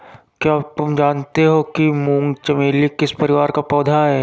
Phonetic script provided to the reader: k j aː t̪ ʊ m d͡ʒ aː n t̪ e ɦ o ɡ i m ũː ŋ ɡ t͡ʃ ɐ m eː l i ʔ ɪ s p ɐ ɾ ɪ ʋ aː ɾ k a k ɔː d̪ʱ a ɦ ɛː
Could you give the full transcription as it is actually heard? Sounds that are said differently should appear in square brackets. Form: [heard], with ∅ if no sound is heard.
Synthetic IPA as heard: k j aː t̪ ʊ m d͡ʒ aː n t̪ e ɦ o [k] i m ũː ŋ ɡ t͡ʃ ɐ m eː l i [k] ɪ s p ɐ ɾ ɪ ʋ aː ɾ k a [p] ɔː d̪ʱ a ɦ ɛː